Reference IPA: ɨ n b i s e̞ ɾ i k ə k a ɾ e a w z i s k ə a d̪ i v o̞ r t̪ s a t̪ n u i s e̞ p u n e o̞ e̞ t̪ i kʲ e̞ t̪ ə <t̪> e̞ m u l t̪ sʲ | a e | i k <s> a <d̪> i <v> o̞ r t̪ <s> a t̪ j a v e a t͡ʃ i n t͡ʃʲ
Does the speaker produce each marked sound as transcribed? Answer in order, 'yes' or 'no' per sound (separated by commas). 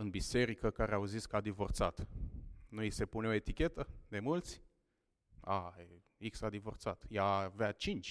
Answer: no, yes, yes, yes, yes